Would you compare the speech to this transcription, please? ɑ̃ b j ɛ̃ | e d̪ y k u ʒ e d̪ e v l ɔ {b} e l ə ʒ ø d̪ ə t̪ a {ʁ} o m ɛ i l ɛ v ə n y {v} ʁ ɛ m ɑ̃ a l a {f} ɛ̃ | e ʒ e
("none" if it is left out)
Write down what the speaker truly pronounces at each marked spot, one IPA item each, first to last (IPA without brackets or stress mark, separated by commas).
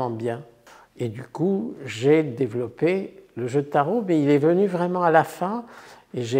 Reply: p, ʁ, v, f